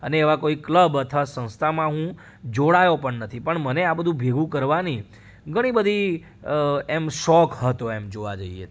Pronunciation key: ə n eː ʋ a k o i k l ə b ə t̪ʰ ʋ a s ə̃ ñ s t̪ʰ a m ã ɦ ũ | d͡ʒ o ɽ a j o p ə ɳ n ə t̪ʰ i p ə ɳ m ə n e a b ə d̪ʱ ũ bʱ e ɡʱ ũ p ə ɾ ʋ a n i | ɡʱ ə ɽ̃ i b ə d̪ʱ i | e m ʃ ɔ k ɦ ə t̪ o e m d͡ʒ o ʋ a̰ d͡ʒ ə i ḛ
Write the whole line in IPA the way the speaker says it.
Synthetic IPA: ə n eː ʋ a k o i k l ə b ə t̪ʰ ʋ a s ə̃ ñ s t̪ʰ a m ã ɦ ũ | d͡ʒ o ɽ a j o p ə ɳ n ə t̪ʰ i p ə ɳ m ə n e a b ə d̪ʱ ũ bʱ e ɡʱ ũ k ə ɾ ʋ a n i | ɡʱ ə ɽ̃ i b ə d̪ʱ i | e m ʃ ɔ k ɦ ə t̪ o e m d͡ʒ o ʋ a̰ d͡ʒ ə i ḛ